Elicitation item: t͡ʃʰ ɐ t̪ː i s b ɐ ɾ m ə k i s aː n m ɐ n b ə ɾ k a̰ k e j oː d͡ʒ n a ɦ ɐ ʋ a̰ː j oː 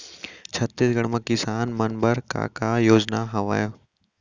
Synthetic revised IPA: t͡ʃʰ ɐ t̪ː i s ɡ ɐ ɽ m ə k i s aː n m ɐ n b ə ɾ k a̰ k a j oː d͡ʒ n a ɦ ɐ ʋ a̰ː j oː